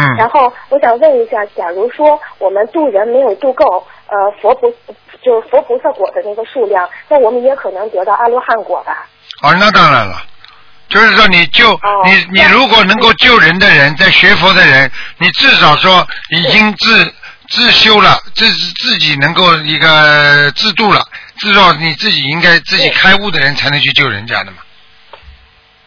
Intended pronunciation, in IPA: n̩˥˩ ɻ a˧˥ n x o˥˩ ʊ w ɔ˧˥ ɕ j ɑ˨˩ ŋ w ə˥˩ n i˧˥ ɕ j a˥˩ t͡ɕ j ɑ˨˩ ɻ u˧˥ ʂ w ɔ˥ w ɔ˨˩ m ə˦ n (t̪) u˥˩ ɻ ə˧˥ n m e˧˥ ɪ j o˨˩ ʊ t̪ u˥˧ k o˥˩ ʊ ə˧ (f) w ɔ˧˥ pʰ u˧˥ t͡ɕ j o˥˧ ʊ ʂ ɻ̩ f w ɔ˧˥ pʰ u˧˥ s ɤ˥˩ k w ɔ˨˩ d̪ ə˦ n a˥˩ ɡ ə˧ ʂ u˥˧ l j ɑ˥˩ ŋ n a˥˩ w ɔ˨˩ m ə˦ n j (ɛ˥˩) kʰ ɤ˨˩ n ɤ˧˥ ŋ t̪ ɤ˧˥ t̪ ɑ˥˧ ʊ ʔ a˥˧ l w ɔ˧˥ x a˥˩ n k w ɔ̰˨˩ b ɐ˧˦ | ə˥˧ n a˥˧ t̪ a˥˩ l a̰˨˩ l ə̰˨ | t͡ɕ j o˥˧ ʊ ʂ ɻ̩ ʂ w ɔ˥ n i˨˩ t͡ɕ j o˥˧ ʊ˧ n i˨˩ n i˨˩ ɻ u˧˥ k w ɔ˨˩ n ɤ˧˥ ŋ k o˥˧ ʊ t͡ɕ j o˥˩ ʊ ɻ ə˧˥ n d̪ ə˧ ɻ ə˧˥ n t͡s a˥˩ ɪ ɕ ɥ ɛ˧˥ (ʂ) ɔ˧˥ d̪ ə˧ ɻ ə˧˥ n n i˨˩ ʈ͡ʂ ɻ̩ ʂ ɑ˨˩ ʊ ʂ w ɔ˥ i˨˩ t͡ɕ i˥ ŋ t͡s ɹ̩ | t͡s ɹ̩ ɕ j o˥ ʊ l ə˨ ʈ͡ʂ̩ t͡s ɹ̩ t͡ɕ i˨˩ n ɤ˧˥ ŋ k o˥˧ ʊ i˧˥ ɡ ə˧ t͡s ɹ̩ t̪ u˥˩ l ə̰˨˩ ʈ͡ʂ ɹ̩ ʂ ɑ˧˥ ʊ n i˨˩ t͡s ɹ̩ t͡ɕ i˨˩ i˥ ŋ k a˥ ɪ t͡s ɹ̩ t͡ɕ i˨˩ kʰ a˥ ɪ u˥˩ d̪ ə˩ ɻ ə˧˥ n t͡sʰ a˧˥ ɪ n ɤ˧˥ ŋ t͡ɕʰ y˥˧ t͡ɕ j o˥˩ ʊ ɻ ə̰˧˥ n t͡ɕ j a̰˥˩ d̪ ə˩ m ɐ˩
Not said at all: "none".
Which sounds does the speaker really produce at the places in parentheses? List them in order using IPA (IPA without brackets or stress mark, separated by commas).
t̪, f, ɛ˧˥, f